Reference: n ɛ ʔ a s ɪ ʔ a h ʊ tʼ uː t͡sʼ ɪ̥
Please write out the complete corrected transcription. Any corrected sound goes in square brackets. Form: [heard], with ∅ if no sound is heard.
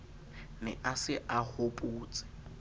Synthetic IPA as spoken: n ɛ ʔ a s ɪ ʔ a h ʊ [pʼ] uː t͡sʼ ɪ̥